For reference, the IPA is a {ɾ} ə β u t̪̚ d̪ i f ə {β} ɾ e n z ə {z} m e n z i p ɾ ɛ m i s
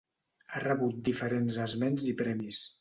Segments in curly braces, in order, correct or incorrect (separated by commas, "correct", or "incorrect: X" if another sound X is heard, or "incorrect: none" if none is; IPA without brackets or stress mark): incorrect: r, incorrect: none, correct